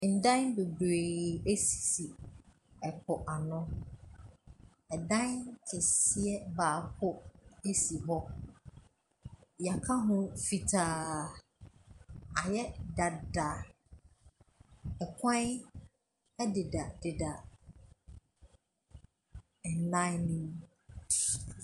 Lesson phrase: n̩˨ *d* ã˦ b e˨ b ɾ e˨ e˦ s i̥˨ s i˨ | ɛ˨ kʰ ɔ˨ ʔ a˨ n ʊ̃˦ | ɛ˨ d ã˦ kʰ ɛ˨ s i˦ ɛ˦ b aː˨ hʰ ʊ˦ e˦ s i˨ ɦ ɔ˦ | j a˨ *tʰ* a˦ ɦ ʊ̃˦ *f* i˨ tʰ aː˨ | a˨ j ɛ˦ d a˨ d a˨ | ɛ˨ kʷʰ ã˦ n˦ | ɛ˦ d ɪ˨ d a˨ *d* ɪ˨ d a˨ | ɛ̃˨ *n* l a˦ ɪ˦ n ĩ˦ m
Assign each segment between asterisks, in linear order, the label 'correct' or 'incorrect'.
correct, incorrect: kʰ, correct, correct, correct

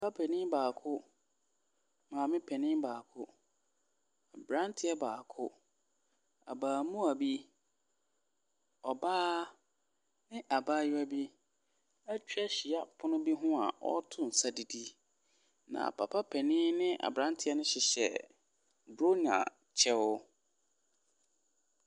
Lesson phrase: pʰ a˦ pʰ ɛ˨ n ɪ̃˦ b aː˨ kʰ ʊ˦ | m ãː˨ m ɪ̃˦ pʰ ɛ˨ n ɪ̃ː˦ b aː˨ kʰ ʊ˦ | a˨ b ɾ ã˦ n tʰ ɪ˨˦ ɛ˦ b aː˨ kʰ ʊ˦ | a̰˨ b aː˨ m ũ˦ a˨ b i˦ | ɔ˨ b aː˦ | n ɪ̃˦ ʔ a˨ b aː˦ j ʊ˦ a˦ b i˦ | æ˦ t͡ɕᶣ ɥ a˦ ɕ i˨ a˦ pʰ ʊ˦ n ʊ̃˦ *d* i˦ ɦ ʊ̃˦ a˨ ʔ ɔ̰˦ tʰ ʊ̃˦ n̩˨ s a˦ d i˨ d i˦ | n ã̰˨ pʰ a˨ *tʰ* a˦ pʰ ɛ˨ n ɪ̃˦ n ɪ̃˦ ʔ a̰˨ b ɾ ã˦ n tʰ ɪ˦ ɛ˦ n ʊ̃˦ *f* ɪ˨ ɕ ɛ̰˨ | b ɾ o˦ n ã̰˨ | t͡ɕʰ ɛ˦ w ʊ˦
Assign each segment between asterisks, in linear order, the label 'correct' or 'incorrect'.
incorrect: b, incorrect: pʰ, incorrect: ɕ

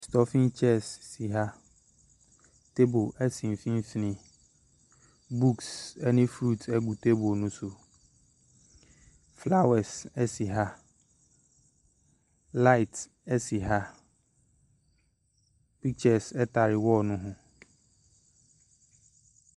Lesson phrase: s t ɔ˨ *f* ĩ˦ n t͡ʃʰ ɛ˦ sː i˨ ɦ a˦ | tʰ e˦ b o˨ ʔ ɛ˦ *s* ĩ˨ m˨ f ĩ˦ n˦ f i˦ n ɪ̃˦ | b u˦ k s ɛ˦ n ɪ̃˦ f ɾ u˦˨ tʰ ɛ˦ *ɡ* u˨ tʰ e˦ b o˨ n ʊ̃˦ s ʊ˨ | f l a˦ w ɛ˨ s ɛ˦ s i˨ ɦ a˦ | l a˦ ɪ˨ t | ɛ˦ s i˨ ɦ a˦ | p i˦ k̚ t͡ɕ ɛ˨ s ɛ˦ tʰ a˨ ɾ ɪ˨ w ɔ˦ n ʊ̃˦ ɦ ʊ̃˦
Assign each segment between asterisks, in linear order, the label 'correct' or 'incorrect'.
correct, correct, correct

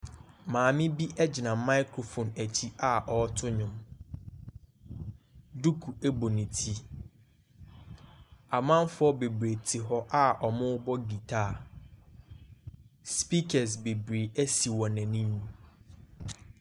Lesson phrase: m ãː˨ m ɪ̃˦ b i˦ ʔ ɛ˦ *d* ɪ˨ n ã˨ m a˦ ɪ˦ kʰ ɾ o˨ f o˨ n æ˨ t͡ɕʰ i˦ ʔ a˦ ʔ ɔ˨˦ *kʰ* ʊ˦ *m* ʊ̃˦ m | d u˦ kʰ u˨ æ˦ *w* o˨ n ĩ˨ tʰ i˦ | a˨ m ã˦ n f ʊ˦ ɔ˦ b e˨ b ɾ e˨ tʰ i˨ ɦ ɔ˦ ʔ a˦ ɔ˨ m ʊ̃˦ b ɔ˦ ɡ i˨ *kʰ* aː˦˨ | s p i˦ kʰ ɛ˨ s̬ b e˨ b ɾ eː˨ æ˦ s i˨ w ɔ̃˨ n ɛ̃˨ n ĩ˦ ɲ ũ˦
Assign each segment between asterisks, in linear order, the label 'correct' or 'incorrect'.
incorrect: d͡ʑ, incorrect: tʰ, incorrect: ɲ, incorrect: b, incorrect: tʰ

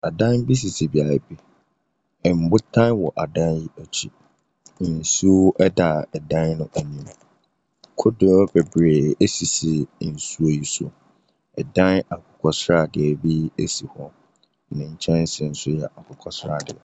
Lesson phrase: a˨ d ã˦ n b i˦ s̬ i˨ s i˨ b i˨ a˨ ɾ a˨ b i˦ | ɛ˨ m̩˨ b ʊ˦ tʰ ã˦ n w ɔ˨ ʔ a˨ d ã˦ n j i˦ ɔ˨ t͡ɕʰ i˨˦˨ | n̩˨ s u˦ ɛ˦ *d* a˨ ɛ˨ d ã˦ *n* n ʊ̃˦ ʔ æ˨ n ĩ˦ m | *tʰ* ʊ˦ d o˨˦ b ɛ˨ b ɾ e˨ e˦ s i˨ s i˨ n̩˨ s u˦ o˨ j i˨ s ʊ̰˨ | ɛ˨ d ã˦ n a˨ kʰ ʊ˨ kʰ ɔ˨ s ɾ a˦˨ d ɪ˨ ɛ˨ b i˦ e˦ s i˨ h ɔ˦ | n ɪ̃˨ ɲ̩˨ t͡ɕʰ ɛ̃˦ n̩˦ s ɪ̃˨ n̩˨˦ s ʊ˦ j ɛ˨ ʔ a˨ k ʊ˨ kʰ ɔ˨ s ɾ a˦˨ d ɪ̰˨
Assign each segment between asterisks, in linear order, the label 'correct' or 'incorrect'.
correct, correct, incorrect: kʰ

